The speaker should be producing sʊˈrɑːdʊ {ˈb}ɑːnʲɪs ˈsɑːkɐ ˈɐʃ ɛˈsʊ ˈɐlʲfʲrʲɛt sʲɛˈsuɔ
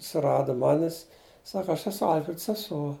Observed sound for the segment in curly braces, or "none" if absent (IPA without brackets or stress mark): m